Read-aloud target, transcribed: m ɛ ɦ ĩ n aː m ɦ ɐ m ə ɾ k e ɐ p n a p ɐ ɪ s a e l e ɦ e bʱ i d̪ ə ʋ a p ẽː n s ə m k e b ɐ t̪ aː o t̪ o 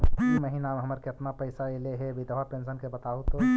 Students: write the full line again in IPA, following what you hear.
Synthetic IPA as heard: m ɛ ɦ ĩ n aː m ɦ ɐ m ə ɾ k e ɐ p n a p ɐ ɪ s a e l e ɦ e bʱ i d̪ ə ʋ a p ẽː n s ə n k e b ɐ t̪ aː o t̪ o